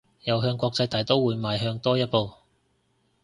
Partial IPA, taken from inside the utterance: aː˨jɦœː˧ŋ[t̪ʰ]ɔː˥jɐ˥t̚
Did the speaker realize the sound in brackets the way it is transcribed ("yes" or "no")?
no